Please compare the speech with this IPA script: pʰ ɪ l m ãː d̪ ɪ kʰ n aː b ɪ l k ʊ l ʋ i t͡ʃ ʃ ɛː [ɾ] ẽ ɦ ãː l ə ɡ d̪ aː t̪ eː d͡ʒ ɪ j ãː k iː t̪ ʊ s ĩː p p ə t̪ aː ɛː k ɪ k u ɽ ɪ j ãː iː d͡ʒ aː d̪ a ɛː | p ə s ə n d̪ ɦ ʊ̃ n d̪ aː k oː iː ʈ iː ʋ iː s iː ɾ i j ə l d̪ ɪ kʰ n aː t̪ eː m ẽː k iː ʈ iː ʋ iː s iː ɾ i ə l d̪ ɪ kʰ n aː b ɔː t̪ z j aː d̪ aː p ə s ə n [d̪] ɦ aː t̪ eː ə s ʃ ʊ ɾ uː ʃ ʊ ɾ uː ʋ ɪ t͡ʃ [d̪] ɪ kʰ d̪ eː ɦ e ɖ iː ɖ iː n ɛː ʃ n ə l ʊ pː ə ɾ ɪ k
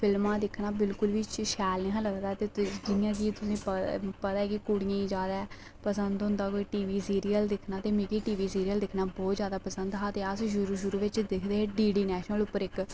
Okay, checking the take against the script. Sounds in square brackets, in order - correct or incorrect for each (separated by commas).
incorrect, correct, correct